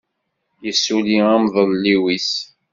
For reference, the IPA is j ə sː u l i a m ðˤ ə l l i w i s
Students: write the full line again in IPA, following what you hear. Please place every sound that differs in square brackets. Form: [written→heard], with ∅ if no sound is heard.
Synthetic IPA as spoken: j ə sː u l i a m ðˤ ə l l i w i s